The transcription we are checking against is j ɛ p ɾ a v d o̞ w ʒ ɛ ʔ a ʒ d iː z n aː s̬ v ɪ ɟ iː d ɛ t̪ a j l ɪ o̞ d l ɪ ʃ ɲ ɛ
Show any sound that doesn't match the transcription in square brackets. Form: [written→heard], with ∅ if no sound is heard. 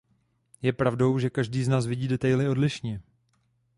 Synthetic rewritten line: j ɛ p ɾ a v d o̞ w ʒ ɛ [ʔ→k] a ʒ d iː z n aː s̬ v ɪ ɟ iː d ɛ t̪ a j l ɪ o̞ d l ɪ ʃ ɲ ɛ